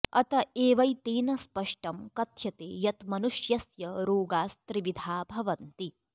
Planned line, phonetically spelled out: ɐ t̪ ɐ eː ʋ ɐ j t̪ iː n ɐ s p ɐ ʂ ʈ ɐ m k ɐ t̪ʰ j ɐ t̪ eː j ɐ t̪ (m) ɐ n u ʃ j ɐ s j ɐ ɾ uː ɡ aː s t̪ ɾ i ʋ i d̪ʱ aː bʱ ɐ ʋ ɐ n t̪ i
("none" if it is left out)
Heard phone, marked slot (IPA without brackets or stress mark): m